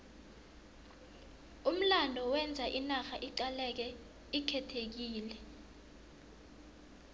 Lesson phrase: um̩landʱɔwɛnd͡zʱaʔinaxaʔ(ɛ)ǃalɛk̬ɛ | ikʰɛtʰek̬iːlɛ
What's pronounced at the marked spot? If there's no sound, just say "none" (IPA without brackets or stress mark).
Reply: i